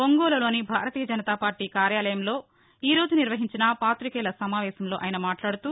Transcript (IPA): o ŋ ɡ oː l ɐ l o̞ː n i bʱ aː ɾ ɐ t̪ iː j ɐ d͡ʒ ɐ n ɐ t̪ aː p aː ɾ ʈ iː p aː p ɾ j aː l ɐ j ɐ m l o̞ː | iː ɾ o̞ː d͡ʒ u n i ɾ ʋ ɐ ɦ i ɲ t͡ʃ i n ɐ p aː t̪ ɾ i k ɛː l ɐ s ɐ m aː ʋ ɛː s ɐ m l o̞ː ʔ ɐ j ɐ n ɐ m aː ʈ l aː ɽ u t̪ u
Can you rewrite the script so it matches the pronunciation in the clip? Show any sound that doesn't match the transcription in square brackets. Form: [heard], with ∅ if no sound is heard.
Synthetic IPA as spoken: o ŋ ɡ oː l ɐ l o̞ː n i bʱ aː ɾ ɐ t̪ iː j ɐ d͡ʒ ɐ n ɐ t̪ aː p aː ɾ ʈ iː [k] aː [∅] ɾ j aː l ɐ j ɐ m l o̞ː | iː ɾ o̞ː d͡ʒ u n i ɾ ʋ ɐ ɦ i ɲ t͡ʃ i n ɐ p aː t̪ ɾ i k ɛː l ɐ s ɐ m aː ʋ ɛː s ɐ m l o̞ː ʔ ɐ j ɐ n ɐ m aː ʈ l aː ɽ u t̪ u